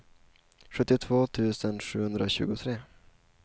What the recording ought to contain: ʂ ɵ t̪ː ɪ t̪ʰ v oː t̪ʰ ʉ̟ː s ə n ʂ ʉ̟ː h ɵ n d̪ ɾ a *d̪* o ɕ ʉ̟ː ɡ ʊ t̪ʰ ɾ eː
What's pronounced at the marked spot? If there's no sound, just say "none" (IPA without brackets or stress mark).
none